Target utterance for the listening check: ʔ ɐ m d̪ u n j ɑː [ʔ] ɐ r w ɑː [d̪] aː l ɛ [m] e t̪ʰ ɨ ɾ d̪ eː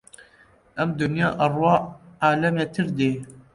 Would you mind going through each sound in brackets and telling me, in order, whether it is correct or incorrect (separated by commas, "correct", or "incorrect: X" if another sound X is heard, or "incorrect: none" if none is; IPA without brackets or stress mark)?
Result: correct, incorrect: none, correct